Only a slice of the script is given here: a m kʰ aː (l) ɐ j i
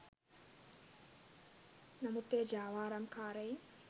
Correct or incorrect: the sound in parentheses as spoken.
incorrect: ɾ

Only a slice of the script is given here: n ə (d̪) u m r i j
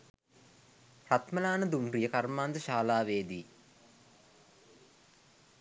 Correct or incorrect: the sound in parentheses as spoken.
correct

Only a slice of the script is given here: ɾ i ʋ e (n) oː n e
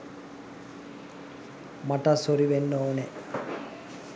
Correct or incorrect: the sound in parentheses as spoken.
incorrect: nː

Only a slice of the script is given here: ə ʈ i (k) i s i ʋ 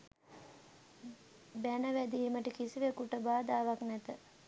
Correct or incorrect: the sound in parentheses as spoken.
correct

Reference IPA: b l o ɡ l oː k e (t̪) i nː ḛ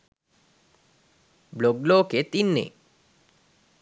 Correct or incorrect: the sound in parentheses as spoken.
correct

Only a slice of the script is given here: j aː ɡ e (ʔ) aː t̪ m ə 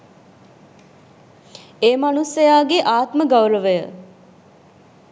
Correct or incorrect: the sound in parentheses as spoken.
correct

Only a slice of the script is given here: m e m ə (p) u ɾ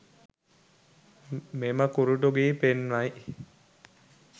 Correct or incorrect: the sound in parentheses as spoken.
incorrect: k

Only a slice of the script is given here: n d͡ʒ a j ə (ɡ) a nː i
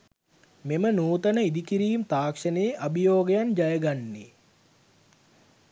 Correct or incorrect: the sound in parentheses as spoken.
correct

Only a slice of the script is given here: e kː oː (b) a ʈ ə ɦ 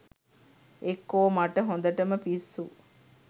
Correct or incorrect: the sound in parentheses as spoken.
incorrect: m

